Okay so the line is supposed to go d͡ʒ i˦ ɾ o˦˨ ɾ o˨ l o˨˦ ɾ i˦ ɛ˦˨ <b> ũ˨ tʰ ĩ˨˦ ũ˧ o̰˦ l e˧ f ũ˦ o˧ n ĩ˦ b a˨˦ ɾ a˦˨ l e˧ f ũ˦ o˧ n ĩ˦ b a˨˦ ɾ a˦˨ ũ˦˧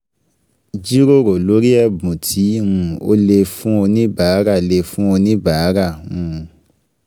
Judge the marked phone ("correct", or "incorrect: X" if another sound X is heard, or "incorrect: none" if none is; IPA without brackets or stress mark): correct